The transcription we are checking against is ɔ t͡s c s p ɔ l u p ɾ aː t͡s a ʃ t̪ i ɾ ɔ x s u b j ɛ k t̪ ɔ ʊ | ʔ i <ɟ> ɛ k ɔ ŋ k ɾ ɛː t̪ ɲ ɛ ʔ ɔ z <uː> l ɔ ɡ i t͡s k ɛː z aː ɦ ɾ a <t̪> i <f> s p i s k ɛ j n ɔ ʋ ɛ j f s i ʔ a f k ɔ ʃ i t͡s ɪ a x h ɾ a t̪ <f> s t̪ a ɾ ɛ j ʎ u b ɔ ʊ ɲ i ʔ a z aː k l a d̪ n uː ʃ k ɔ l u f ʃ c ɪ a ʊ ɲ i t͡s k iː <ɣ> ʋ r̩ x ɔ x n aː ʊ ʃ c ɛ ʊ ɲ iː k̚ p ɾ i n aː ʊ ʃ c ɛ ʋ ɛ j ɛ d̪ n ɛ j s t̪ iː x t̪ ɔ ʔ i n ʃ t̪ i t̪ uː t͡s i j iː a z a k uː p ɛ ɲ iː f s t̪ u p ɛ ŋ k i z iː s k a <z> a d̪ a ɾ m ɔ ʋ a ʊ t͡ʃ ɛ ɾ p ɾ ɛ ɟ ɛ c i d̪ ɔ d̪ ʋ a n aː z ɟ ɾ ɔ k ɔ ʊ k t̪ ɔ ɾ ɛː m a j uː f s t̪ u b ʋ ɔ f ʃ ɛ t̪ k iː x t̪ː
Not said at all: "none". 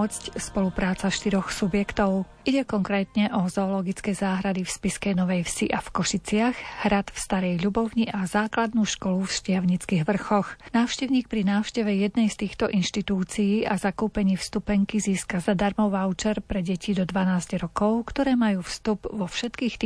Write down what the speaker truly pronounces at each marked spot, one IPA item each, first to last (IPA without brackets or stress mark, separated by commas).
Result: ɟ, ɔː, d̪, f, f, ɣ, z